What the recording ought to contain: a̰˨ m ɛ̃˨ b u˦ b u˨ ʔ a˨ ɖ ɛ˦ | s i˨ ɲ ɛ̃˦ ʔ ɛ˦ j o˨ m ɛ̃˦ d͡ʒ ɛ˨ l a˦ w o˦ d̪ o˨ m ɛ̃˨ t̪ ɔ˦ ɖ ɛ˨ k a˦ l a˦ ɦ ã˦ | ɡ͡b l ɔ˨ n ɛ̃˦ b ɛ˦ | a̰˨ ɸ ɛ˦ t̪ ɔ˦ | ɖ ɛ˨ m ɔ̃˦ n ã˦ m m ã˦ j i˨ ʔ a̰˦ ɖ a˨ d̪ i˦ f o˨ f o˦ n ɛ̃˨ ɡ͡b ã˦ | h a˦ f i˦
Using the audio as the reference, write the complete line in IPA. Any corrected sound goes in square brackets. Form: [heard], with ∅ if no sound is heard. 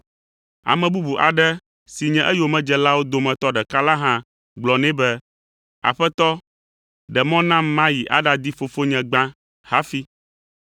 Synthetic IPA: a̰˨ m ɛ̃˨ b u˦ b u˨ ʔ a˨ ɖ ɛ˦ | s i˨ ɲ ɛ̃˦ ʔ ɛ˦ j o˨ m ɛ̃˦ d͡ʒ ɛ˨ l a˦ w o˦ d̪ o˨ m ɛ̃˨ t̪ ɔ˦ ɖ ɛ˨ k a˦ l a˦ ɦ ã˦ | ɡ͡b l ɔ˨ n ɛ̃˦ b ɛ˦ | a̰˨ ɸ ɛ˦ t̪ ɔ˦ | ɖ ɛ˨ m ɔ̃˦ n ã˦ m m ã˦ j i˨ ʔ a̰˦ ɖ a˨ d̪ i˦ f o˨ f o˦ [ɲ] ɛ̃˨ ɡ͡b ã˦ | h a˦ f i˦